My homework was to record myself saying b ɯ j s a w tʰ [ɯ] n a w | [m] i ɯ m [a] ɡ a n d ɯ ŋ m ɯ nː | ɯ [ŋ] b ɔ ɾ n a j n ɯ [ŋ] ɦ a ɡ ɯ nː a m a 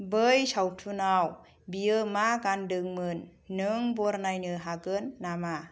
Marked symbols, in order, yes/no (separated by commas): no, no, yes, yes, no